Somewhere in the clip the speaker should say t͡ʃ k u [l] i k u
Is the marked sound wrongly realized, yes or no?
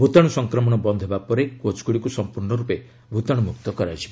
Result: yes